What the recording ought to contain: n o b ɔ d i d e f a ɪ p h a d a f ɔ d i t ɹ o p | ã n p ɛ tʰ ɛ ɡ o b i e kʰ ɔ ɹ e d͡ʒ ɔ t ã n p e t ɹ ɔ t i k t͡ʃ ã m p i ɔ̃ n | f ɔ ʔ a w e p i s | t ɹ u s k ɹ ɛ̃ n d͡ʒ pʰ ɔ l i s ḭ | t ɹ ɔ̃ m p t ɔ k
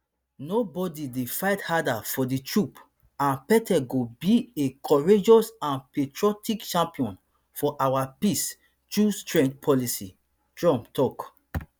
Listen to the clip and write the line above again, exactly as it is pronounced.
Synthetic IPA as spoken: n o b ɔ d i d e f a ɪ t h a d a f ɔ d i t ɹ u p | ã n p ɛ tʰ ɛ ɡ o b i e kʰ ɔ ɹ e d͡ʒ ɔ s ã n p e t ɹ ɔ t i k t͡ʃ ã m p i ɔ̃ n | f ɔ ʔ a w a p i s | t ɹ u s t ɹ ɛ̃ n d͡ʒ pʰ ɔ l i s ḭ | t ɹ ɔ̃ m p t ɔ k